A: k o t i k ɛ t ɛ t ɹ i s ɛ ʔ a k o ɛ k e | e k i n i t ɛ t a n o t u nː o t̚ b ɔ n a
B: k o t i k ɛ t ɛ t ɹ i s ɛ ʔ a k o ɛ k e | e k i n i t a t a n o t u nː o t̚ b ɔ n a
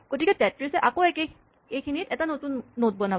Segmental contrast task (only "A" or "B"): A